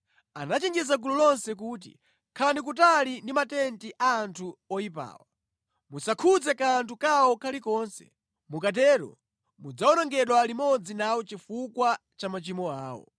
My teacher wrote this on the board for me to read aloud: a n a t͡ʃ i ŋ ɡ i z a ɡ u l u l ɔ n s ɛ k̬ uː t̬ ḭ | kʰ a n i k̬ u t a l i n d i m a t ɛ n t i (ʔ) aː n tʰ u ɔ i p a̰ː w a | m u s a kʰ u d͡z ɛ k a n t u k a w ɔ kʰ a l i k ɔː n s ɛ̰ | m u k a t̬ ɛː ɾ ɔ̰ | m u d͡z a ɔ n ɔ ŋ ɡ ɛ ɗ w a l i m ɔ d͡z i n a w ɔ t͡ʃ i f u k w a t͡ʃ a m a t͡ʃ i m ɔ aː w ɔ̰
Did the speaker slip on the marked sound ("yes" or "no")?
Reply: no